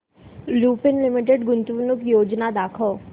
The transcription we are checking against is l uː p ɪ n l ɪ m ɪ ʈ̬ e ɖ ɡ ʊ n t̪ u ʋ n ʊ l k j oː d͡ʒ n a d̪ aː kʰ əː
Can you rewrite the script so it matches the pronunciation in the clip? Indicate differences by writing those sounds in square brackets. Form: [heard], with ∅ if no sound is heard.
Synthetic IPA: l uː p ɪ n l ɪ m ɪ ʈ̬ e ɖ ɡ ʊ n t̪ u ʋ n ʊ [∅] k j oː d͡ʒ n a d̪ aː kʰ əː